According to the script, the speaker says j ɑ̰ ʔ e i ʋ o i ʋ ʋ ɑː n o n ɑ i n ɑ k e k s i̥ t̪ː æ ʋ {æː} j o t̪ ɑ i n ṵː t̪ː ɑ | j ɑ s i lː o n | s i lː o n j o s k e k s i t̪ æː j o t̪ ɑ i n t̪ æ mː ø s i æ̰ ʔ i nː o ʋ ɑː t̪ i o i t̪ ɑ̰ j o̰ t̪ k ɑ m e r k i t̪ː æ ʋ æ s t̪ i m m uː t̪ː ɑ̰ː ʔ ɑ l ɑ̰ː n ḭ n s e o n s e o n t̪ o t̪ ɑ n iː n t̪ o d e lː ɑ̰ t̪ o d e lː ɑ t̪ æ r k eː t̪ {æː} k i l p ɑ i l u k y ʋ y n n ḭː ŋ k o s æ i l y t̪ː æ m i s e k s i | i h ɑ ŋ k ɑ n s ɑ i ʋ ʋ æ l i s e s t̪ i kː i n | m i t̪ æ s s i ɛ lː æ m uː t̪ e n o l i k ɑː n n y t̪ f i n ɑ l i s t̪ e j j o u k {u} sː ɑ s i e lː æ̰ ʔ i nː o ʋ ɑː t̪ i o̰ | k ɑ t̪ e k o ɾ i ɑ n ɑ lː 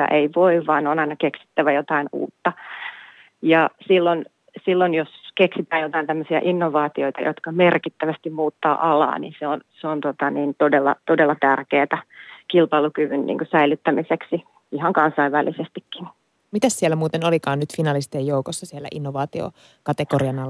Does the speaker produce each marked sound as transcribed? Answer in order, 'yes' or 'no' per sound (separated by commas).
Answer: no, no, no